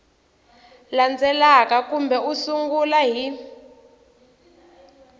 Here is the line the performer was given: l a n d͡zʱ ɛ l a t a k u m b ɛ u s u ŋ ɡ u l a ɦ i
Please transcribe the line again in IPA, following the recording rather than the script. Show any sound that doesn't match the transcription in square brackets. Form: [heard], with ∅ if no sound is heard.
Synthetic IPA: l a n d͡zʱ ɛ l a [k] a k u m b ɛ u s u ŋ ɡ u l a ɦ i